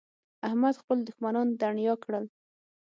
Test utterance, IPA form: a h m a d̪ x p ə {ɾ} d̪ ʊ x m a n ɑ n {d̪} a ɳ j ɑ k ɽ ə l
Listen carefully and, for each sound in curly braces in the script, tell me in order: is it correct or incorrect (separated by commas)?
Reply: incorrect, correct